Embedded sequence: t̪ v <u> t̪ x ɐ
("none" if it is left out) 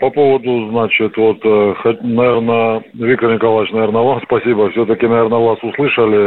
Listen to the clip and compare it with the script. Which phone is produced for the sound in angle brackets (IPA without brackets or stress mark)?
o